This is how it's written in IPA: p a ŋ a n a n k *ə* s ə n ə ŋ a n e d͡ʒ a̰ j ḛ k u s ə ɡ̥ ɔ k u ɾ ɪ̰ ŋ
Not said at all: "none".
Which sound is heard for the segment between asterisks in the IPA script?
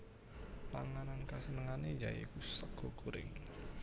a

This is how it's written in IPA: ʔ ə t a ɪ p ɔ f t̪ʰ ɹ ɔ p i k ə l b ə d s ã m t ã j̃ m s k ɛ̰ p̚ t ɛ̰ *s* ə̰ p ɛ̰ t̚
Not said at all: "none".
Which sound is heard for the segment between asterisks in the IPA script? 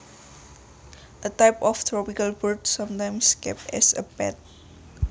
s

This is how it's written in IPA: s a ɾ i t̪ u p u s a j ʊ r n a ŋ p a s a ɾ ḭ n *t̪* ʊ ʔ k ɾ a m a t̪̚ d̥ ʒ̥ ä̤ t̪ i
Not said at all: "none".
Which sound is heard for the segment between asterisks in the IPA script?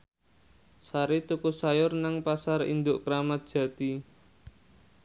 d̪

